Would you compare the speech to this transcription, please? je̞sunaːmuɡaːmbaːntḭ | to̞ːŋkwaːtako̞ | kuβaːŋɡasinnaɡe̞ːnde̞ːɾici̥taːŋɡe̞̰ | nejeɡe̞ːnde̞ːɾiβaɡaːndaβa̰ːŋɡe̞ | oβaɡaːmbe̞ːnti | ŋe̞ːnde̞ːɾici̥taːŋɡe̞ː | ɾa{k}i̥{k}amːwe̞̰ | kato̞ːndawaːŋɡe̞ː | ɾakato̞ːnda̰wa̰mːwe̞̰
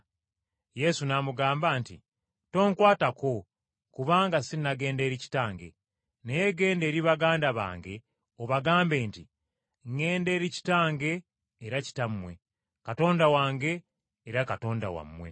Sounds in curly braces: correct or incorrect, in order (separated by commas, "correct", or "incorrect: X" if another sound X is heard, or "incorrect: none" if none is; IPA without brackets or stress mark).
incorrect: c, incorrect: t